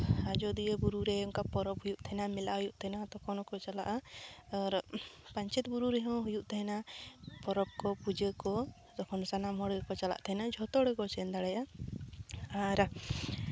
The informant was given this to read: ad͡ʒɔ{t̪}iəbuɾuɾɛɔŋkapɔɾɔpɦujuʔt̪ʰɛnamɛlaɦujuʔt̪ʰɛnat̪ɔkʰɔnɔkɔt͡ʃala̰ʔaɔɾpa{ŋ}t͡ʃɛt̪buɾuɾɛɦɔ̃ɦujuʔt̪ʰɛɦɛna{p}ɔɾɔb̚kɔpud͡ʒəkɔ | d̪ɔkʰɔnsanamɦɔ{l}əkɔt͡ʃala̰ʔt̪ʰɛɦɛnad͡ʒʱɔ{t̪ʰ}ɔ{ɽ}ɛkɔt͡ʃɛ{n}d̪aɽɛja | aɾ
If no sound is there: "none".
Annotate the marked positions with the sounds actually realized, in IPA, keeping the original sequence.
d̪, ɲ, p, ɽ, t̪, ɽ, n

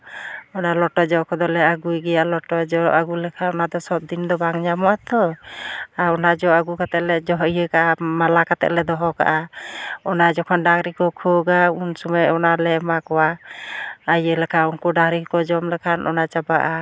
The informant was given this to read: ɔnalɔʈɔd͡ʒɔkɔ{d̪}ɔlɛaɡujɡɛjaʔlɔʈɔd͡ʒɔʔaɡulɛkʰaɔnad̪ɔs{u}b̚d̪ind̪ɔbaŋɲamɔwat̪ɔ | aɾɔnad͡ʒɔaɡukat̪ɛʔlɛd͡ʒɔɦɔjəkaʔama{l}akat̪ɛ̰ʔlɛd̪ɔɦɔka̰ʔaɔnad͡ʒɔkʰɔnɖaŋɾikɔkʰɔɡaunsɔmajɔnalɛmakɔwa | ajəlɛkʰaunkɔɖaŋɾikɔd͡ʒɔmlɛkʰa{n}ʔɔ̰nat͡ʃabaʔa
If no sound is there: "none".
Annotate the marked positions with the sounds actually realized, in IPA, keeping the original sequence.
d̪, ɔ, l, n

